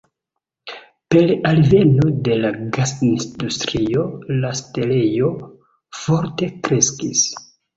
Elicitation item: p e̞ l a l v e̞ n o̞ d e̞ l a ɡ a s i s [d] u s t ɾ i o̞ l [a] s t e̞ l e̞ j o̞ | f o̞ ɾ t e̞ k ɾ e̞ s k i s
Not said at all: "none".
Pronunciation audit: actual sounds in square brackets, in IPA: d, a

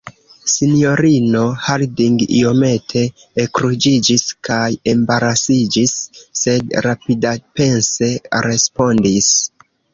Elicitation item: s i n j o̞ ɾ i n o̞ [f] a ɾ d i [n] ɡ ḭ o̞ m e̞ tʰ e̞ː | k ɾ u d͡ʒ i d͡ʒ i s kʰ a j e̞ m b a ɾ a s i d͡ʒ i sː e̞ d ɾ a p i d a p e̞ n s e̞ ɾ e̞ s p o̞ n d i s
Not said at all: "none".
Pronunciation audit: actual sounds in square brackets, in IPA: h, ŋ

